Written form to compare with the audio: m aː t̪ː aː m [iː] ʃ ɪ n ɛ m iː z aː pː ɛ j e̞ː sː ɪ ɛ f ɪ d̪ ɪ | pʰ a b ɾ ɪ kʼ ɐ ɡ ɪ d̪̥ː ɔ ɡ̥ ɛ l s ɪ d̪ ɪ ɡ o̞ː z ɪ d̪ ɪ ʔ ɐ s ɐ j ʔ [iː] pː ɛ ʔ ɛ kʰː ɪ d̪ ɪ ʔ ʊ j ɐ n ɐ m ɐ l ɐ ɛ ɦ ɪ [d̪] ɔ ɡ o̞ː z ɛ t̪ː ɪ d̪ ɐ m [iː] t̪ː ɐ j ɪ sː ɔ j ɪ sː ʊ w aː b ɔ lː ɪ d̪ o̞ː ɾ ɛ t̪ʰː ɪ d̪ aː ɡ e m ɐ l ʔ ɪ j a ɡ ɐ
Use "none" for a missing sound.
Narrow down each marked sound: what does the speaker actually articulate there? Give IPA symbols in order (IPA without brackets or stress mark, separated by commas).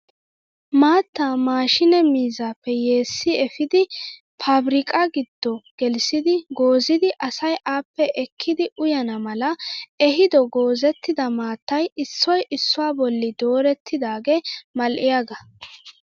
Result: aː, aː, d̪, aː